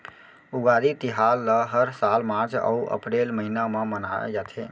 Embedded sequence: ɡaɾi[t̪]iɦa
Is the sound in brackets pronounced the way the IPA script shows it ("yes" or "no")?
yes